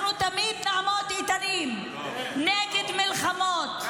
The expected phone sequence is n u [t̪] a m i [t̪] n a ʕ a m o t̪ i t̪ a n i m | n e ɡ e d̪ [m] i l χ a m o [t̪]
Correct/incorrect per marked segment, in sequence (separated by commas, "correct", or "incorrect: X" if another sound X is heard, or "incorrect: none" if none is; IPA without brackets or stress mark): correct, incorrect: d̪, correct, correct